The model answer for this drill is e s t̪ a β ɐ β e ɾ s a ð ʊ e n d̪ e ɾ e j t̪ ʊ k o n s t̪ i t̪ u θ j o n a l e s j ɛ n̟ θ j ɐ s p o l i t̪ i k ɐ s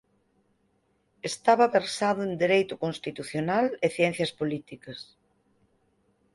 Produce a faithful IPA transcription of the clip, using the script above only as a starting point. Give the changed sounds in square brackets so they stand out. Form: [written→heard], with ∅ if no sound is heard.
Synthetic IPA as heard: e s t̪ a β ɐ β e ɾ s a ð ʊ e n d̪ e ɾ e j t̪ ʊ k o n s t̪ i t̪ u θ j o n a l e [s→θ] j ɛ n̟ θ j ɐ s p o l i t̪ i k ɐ s